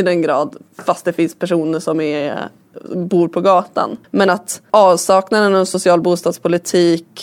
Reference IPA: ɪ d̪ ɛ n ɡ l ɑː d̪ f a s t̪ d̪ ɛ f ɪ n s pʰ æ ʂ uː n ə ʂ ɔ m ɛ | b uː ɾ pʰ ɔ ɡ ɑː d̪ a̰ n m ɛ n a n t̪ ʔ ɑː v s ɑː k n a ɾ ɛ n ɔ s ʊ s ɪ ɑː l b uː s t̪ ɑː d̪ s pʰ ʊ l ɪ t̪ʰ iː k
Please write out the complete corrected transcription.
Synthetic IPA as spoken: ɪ d̪ ɛ n ɡ ɾ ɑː d̪ f a s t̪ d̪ ɛ f ɪ n s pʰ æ ʂ uː n ə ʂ ɔ m ɛ | b uː ɾ pʰ ɔ ɡ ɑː t̪ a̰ n m ɛ n a t̪ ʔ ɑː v s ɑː k n a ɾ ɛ n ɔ s ʊ s ɪ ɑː l b uː s t̪ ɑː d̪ s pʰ ʊ l ɪ t̪ʰ iː k